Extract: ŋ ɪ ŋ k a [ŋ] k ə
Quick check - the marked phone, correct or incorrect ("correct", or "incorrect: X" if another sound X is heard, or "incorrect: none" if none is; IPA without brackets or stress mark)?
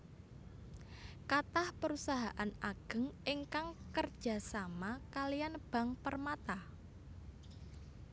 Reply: correct